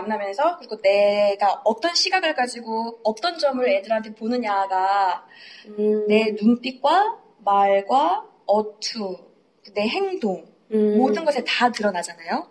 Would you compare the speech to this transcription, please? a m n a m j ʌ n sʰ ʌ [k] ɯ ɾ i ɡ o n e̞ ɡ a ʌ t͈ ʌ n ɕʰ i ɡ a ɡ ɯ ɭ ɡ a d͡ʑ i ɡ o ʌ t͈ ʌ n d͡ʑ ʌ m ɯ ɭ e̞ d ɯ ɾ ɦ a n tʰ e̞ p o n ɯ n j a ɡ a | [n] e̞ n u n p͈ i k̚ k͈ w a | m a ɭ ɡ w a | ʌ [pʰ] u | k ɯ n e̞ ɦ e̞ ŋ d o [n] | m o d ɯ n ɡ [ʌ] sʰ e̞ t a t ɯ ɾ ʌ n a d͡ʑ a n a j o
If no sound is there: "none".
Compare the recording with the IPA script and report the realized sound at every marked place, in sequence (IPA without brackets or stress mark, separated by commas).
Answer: k, n, tʰ, ŋ, ʌ